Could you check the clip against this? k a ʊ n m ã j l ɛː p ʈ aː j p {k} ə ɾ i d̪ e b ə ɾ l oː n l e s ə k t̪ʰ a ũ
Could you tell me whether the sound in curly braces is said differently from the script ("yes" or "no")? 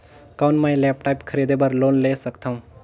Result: yes